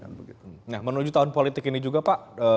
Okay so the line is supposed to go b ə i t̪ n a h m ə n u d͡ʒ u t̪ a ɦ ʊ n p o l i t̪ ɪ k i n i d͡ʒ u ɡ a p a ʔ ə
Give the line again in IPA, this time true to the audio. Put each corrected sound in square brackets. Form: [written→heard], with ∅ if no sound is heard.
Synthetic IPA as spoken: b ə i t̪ n a h m ə n u d͡ʒ u t̪ a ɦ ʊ n p o l i t̪ ɪ k i n i d͡ʒ u ɡ a p a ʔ ə